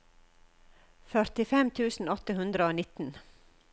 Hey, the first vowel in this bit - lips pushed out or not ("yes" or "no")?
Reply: yes